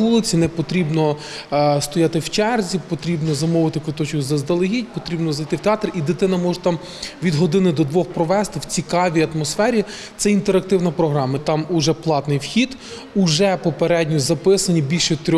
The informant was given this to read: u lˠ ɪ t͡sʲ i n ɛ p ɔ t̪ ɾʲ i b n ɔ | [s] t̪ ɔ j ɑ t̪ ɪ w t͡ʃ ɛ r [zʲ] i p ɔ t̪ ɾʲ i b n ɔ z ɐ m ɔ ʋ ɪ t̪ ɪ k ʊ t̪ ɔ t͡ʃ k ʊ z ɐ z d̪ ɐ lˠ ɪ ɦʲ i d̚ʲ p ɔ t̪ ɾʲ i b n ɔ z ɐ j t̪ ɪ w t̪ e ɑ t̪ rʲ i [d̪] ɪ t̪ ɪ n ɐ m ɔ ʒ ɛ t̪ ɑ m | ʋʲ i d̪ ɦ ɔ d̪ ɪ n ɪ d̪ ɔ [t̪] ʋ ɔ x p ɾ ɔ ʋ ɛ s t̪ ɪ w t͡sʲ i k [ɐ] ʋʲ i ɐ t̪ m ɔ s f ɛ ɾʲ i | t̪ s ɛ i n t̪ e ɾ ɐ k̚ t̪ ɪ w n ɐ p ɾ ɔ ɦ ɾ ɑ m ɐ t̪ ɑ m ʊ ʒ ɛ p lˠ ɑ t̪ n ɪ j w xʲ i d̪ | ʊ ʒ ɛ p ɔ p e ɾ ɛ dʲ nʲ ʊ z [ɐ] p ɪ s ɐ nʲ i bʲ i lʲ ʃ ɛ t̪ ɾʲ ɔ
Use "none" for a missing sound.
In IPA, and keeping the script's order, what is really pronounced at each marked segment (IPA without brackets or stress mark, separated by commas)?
s, zʲ, d̪, d̪, ɑ, ɐ